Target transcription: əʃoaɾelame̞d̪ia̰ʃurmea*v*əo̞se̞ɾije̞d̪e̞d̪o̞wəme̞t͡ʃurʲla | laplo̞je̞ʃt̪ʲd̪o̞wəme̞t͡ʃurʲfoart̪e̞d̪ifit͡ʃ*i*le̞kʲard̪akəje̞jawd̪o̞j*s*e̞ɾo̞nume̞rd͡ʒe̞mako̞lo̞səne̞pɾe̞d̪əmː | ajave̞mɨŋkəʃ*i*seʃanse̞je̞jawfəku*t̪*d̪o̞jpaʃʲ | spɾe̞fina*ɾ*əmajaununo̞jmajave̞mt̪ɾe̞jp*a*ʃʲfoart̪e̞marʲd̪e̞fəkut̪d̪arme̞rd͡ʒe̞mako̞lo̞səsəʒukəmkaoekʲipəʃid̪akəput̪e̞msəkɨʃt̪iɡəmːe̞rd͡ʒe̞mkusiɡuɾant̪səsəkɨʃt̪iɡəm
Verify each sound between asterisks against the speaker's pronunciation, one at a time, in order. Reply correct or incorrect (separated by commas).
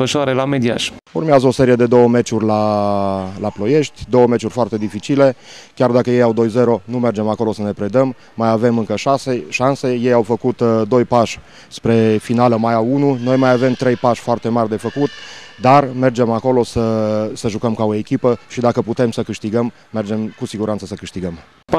incorrect, correct, incorrect, incorrect, correct, incorrect, correct